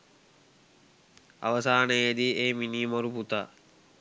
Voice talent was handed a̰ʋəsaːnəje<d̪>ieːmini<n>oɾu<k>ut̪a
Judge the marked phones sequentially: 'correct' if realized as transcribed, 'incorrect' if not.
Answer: correct, incorrect, incorrect

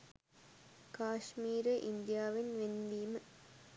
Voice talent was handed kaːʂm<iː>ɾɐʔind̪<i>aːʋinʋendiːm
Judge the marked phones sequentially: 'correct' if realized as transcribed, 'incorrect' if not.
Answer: correct, incorrect

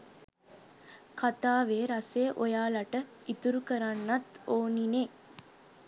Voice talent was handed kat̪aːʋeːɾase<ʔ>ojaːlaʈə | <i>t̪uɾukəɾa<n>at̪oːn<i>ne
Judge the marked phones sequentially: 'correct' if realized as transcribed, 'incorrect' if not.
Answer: correct, correct, incorrect, correct

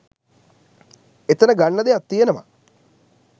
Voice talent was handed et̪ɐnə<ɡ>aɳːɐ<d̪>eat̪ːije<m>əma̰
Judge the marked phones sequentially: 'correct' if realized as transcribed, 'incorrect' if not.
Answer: correct, correct, incorrect

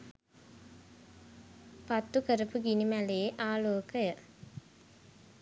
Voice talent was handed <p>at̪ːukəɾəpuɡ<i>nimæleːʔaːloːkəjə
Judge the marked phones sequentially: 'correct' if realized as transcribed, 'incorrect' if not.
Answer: correct, correct

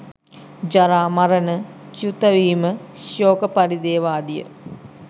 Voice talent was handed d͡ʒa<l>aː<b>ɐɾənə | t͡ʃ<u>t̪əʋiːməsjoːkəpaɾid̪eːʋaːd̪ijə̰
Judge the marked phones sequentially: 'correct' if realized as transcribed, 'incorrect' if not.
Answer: incorrect, incorrect, correct

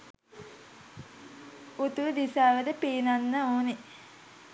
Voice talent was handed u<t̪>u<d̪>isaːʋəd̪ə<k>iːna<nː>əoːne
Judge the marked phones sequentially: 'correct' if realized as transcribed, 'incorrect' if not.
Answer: correct, correct, incorrect, correct

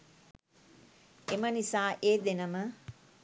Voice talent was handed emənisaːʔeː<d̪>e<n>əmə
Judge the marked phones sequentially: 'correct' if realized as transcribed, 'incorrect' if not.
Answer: correct, correct

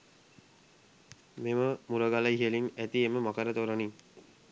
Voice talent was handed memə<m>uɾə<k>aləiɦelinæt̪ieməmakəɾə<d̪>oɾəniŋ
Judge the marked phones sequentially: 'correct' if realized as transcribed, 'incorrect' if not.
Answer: correct, incorrect, incorrect

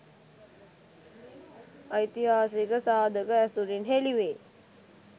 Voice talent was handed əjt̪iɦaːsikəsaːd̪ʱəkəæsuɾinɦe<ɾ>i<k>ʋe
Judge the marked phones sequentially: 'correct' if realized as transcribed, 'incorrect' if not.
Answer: incorrect, incorrect

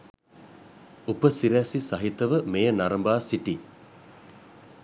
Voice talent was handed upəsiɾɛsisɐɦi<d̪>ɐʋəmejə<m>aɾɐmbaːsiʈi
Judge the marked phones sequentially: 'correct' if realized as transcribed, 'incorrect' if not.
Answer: incorrect, incorrect

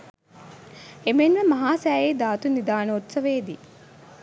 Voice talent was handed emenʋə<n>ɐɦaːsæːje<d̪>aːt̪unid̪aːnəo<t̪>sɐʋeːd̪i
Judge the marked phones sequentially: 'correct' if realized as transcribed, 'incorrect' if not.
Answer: incorrect, correct, correct

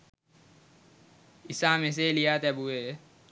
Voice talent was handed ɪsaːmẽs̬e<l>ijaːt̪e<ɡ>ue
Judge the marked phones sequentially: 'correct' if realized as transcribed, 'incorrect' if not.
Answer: correct, incorrect

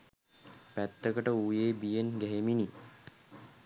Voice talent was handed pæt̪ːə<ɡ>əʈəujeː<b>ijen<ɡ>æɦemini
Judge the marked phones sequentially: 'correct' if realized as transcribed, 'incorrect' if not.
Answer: incorrect, correct, correct

